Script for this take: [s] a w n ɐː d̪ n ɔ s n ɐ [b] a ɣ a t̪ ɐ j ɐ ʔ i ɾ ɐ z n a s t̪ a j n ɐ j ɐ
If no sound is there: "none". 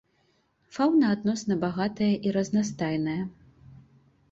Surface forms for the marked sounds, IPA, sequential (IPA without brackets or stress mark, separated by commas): f, b